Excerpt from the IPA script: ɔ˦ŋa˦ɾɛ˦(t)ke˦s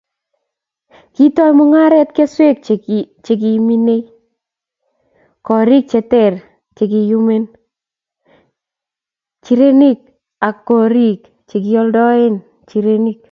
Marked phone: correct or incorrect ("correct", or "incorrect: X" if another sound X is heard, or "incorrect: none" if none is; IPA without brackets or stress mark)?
correct